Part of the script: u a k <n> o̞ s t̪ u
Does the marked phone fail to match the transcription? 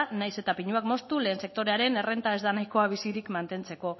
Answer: yes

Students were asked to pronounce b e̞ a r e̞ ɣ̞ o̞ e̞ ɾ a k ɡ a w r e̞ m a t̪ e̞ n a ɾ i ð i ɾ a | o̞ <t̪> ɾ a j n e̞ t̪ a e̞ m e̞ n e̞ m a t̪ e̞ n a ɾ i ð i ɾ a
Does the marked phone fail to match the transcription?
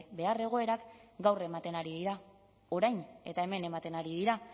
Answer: yes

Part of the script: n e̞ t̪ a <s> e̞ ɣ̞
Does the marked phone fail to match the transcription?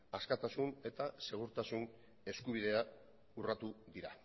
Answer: no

